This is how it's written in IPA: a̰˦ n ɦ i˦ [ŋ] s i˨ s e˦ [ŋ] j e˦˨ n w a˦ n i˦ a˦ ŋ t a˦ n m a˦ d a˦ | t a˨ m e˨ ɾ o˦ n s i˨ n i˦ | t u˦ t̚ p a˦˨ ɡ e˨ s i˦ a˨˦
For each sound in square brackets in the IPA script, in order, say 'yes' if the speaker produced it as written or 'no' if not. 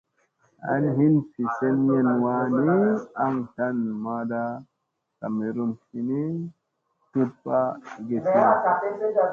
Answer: no, no

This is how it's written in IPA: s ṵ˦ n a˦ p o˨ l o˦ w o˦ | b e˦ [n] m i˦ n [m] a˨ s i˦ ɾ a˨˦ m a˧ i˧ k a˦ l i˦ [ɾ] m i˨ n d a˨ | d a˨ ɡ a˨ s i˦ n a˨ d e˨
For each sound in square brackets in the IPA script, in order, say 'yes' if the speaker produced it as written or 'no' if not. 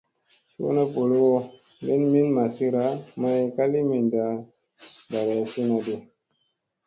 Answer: yes, yes, no

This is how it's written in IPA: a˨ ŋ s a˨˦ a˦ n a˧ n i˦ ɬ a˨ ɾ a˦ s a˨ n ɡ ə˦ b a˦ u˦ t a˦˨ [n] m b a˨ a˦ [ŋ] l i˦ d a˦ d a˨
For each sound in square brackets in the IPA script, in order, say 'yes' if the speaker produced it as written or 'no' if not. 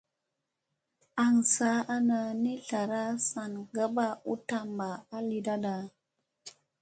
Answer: no, no

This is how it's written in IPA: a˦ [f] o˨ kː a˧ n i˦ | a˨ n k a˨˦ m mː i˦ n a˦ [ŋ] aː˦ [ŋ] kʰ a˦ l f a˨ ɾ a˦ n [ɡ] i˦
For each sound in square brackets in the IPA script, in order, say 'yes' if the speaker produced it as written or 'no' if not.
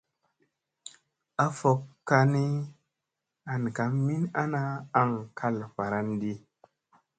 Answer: yes, no, yes, no

